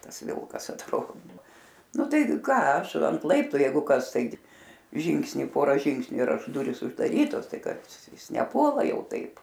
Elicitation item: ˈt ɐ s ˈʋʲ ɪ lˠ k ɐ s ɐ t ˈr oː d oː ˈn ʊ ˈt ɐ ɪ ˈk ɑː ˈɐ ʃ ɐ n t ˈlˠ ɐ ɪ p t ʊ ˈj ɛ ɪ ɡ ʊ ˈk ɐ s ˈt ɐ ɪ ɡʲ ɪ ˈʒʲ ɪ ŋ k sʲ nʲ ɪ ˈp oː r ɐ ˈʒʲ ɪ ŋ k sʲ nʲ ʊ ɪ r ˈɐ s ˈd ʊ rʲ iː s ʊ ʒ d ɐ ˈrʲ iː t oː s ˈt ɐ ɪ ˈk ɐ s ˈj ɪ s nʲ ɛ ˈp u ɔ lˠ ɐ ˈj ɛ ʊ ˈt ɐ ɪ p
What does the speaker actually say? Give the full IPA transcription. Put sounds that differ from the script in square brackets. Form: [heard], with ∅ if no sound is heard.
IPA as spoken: ˈt ɐ s ˈʋʲ ɪ lˠ k ɐ s ɐ t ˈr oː d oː ˈn ʊ ˈt ɐ ɪ ˈk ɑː ˈɐ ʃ ɐ n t ˈlˠ ɐ ɪ p t ʊ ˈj ɛ ɪ ɡ ʊ ˈk ɐ s ˈt ɐ ɪ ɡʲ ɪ ˈʒʲ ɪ ŋ k sʲ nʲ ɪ ˈp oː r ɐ ˈʒʲ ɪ ŋ k sʲ nʲ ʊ ɪ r ˈɐ [ʃ] ˈd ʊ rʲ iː s ʊ ʒ d ɐ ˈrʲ iː t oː s ˈt ɐ ɪ ˈk ɐ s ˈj ɪ s nʲ ɛ ˈp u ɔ lˠ ɐ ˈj ɛ ʊ ˈt ɐ ɪ p